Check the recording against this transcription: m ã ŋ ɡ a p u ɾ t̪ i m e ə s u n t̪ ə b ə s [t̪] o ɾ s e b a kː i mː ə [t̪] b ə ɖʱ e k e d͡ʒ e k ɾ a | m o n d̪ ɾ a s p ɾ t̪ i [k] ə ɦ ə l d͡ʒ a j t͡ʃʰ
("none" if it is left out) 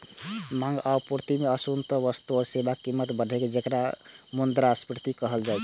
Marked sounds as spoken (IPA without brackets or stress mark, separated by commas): t̪, t̪, k